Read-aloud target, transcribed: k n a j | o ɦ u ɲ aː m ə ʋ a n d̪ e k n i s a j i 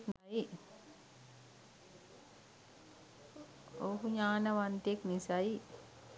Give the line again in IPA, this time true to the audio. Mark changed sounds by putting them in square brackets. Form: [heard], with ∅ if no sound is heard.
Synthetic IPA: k n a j | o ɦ u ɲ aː [n] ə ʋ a n [t̪] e k n i s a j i